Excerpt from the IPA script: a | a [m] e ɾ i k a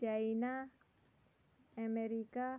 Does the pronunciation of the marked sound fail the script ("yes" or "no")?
no